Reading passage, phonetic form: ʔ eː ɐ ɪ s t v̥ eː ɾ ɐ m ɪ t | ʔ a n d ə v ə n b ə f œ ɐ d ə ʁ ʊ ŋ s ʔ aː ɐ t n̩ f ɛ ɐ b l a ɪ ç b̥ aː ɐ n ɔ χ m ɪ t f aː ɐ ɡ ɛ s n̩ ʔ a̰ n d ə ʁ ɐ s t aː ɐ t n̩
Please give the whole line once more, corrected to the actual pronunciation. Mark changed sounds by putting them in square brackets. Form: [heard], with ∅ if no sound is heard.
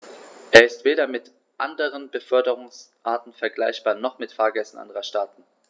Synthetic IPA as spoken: ʔ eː ɐ ɪ s t v̥ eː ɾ ɐ m ɪ t | ʔ a n d ə [ʁ] ə n b ə f œ ɐ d ə ʁ ʊ ŋ s ʔ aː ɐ t n̩ f ɛ ɐ [ɡ] l a ɪ ç b̥ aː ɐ n ɔ χ m ɪ t f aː ɐ ɡ ɛ s n̩ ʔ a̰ n d ə ʁ ɐ [ʃ] t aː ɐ t n̩

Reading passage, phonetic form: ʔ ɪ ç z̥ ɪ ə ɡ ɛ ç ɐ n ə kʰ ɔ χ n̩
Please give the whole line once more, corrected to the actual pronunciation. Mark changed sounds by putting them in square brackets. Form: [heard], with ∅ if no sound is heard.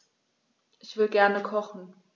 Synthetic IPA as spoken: ʔ ɪ ç [v̥] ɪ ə ɡ ɛ [∅] ɐ n ə kʰ ɔ χ n̩

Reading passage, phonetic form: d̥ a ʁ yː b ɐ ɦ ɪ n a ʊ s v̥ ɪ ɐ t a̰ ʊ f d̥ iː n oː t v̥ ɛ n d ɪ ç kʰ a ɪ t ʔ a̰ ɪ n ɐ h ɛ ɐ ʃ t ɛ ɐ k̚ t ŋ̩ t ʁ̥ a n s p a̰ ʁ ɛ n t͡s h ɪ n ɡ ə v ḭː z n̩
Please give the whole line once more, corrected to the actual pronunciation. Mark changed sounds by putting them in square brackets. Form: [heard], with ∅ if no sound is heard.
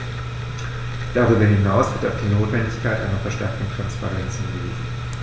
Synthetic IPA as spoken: d̥ a ʁ yː b ɐ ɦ ɪ n a ʊ s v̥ ɪ ɐ t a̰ ʊ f d̥ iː n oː t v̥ ɛ n d ɪ ç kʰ a ɪ t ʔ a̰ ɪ n ɐ [f] ɛ ɐ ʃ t ɛ ɐ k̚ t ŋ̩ t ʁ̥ a n s p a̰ ʁ ɛ n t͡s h ɪ n ɡ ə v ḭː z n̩

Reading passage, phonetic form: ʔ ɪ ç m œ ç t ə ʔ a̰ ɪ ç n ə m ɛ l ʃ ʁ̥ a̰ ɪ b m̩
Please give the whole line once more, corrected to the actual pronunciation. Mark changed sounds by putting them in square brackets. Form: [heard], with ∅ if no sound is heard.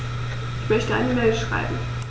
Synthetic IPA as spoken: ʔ ɪ ç m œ ç t ə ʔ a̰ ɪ [∅] n ə m ɛ l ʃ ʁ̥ a̰ ɪ b m̩

